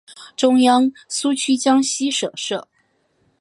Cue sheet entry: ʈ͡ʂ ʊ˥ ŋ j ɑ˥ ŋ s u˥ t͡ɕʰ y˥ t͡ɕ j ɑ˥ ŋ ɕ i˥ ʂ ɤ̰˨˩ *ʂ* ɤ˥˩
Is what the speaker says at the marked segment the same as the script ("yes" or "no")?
yes